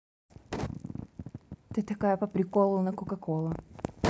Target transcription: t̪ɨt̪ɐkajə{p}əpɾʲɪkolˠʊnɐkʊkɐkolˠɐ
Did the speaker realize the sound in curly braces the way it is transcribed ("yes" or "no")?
yes